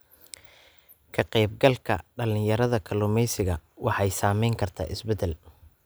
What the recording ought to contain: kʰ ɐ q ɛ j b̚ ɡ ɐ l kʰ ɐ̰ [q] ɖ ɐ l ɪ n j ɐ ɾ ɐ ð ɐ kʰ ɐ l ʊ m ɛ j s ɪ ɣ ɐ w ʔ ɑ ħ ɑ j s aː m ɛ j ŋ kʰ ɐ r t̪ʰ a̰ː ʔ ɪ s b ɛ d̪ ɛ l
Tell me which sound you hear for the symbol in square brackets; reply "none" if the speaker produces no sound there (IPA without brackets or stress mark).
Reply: none